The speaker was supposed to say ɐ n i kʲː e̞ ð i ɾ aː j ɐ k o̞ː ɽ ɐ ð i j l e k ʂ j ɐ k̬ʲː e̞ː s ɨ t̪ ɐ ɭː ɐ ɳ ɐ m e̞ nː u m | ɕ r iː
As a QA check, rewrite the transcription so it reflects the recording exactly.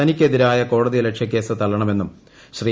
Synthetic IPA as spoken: ɐ n i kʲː e̞ ð i ɾ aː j ɐ k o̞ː ɽ ɐ ð i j l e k ʂ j ɐ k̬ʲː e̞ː s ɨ t̪ ɐ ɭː ɐ ɳ ɐ m e̞ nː u m | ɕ r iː